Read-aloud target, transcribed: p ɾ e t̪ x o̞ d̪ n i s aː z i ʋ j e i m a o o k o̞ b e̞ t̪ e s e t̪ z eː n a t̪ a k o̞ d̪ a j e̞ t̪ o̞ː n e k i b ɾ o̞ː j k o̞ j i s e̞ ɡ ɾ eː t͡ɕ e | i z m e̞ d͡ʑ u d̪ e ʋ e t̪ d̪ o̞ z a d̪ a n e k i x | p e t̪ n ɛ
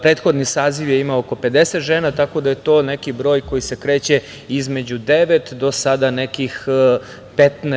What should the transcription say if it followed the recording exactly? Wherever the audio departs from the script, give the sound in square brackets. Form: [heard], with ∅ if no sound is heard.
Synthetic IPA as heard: p ɾ e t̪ x o̞ d̪ n i s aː z i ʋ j e i m a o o k o̞ [p] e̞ [d̪] e s e t̪ [ʒ] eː n a t̪ a k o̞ d̪ a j e̞ t̪ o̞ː n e k i b ɾ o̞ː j k o̞ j i s e̞ [k] ɾ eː t͡ɕ e | i z m e̞ d͡ʑ u d̪ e ʋ e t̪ d̪ o̞ [s] a d̪ a n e k i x | p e t̪ n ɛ